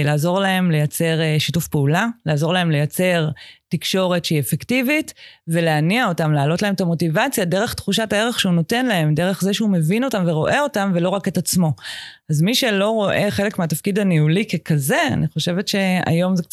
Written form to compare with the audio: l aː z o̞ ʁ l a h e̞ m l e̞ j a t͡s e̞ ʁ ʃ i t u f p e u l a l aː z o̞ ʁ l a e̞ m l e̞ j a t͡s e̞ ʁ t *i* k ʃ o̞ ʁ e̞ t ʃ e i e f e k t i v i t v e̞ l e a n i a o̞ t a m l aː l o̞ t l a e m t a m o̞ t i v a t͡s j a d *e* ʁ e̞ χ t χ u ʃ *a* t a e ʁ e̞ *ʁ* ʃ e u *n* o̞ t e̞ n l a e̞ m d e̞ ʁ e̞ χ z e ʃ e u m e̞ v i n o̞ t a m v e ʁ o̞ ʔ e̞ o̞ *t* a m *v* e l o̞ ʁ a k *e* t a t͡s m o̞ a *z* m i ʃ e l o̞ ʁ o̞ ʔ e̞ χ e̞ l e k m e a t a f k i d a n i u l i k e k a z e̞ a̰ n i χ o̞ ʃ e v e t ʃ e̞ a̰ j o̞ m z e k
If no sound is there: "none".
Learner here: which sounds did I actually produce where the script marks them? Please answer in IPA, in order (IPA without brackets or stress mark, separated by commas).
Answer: i, e, a, χ, n, t, v, e, z